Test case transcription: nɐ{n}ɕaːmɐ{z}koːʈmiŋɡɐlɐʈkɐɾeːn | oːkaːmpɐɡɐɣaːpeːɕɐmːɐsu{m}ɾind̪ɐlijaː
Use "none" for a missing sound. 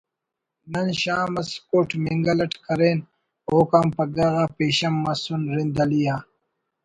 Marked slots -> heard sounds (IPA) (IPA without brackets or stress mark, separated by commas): n, s, n